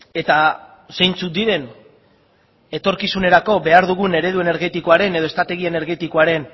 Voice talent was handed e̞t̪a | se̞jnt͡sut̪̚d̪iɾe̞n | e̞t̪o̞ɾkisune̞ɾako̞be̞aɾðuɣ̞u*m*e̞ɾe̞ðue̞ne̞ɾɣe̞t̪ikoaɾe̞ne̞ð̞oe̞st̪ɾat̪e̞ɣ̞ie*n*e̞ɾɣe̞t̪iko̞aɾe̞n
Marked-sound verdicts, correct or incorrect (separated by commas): incorrect, correct